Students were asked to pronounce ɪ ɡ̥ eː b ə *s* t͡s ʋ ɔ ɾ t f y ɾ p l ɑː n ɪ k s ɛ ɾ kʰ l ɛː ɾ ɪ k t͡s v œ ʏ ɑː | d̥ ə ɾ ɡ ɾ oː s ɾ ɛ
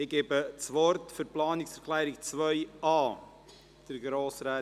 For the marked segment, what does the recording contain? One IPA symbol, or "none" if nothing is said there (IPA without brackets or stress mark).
none